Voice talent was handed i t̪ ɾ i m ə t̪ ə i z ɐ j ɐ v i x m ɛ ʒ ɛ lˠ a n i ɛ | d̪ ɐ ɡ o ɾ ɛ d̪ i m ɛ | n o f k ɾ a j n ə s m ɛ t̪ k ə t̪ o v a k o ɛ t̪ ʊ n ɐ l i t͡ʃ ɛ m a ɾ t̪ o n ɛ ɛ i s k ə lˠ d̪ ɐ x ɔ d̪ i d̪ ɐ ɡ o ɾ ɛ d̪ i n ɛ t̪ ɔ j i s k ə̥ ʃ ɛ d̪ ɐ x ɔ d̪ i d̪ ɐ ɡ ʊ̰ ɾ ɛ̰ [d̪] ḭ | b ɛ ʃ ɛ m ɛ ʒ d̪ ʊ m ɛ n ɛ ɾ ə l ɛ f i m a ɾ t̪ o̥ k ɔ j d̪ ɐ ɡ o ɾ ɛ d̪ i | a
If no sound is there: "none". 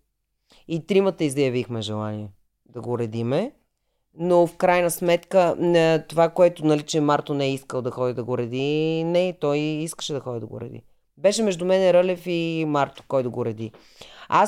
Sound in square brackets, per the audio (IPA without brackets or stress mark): d̪